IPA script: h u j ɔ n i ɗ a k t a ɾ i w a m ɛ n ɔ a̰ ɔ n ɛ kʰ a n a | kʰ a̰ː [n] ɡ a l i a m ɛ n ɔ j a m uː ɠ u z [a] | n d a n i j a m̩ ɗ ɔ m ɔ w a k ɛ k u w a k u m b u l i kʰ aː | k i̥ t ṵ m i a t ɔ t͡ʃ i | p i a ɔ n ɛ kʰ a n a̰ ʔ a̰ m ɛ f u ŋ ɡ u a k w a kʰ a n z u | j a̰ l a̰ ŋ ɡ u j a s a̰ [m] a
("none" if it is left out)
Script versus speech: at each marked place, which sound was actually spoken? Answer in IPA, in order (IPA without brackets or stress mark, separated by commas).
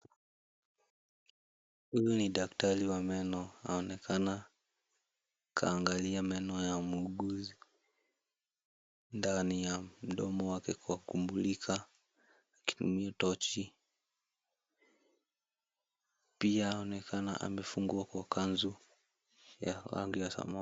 ŋ, i, m